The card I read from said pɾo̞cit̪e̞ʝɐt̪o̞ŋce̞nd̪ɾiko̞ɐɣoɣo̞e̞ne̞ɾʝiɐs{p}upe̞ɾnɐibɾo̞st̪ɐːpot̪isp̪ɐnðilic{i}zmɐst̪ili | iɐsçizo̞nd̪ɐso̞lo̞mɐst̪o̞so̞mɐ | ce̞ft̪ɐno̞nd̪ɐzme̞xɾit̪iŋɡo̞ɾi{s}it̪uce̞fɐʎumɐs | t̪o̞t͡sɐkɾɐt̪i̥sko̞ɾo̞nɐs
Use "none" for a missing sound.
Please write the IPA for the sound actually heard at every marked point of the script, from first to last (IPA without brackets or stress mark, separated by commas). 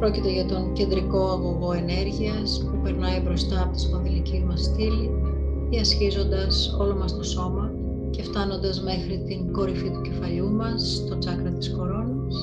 p, i, f